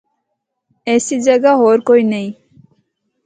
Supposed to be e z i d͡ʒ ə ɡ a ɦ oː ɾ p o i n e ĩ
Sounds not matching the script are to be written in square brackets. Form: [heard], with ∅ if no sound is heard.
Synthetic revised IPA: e [s] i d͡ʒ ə ɡ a ɦ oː ɾ [k] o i n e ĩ

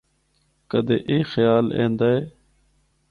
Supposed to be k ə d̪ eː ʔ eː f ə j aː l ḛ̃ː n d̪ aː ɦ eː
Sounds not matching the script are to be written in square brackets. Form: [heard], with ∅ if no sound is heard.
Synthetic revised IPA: k ə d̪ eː ʔ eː [x] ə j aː l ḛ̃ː n d̪ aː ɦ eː

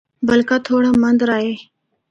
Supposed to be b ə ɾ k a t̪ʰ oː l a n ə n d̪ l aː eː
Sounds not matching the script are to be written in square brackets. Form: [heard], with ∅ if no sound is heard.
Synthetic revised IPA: b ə [l] k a t̪ʰ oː [ɽ] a [m] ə n d̪ [ɾ] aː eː

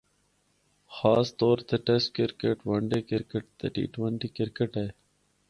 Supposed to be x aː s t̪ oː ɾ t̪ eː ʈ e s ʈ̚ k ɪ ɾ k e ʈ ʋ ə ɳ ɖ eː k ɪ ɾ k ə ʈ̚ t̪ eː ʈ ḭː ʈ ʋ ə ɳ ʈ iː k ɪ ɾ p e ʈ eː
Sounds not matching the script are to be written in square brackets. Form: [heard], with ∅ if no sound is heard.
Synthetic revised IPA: x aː s t̪ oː ɾ t̪ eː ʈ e s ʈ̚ k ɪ ɾ k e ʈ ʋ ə ɳ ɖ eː k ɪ ɾ k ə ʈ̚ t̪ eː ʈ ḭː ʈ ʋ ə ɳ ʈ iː k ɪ ɾ [k] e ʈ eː

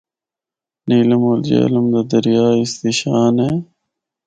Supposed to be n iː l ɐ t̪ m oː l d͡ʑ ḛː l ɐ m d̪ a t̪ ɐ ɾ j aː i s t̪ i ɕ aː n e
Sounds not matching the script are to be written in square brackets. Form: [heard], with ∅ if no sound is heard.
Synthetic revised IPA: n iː l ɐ [∅] m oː l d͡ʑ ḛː l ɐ m d̪ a [d̪] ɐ ɾ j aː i s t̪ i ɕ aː n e

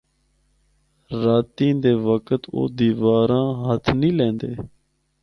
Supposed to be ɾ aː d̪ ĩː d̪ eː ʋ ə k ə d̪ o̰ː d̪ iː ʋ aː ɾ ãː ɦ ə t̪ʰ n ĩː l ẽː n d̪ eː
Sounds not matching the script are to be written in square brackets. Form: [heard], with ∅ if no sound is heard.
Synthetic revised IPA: ɾ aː [t̪] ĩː d̪ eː ʋ ə k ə [t̪] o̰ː d̪ iː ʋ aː ɾ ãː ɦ ə t̪ʰ n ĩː l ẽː n d̪ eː

